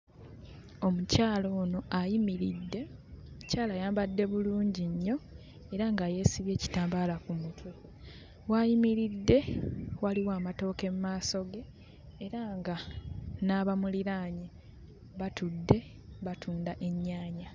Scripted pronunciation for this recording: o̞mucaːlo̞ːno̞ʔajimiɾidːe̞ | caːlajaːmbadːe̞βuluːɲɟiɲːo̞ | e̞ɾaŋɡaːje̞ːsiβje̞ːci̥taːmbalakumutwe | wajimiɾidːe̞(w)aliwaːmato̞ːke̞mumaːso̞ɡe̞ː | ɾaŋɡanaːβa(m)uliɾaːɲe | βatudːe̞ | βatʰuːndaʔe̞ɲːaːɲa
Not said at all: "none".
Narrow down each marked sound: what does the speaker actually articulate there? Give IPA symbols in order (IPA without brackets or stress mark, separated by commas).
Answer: w, m